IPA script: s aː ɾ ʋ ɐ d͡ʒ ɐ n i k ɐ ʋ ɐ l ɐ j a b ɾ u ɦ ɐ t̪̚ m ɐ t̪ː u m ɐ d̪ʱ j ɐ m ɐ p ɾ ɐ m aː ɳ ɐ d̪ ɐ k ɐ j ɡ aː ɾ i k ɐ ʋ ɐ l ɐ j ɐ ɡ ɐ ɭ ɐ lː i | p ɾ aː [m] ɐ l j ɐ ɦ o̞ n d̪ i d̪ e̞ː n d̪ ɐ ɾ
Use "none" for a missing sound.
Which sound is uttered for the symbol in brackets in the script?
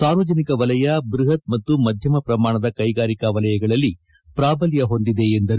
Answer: b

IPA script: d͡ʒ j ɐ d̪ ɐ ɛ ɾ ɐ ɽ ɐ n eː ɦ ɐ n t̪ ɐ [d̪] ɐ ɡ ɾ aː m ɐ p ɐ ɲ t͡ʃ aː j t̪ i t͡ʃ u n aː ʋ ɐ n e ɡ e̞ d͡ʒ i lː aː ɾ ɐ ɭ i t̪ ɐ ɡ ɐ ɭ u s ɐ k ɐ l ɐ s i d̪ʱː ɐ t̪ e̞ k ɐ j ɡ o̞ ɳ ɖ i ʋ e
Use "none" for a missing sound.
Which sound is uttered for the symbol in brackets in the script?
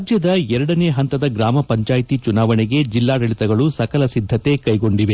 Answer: d̪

